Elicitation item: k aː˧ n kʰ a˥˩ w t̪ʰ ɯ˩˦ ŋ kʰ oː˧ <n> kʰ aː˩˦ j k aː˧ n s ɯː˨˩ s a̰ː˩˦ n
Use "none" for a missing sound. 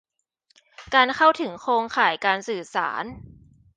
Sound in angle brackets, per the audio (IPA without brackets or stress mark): ŋ